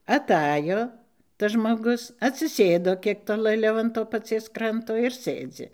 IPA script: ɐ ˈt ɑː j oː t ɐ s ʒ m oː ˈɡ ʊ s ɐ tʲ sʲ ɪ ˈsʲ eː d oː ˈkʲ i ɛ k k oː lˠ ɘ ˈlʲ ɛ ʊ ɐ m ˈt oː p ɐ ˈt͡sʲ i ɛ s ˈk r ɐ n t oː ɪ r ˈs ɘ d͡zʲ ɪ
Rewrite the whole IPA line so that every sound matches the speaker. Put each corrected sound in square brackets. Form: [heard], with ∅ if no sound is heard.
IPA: ɐ ˈt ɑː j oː t ɐ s ʒ m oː ˈɡ ʊ s ɐ tʲ sʲ ɪ ˈsʲ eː d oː ˈkʲ i ɛ k [t] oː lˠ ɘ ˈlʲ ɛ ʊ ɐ [n] ˈt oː p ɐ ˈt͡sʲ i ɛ s ˈk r ɐ n t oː ɪ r ˈs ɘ d͡zʲ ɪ